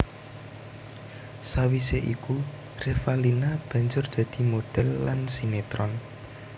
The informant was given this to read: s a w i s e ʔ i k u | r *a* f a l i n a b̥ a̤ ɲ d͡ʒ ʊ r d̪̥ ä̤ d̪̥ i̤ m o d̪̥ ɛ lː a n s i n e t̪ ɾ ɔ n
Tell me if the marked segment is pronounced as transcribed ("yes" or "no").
no